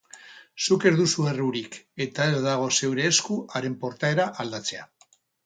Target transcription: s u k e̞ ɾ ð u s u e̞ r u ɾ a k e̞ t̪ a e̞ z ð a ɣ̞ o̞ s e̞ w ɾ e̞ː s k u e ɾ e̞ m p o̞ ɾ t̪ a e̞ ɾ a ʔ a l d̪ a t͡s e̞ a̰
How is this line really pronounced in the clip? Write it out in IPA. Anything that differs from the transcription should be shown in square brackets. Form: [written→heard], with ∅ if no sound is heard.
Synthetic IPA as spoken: s u k e̞ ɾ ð u s u e̞ r u ɾ [a→i] k e̞ t̪ a e̞ z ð a ɣ̞ o̞ s e̞ w ɾ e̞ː s k u [e→a] ɾ e̞ m p o̞ ɾ t̪ a e̞ ɾ a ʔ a l d̪ a t͡s e̞ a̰